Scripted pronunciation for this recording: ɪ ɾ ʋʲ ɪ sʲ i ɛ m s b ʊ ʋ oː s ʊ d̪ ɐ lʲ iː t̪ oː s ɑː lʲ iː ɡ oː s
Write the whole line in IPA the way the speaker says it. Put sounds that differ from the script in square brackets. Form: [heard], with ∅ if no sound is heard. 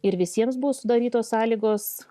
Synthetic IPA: ɪ ɾ ʋʲ ɪ sʲ i ɛ m s b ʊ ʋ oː s ʊ d̪ ɐ [ɾʲ] iː t̪ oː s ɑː lʲ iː ɡ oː s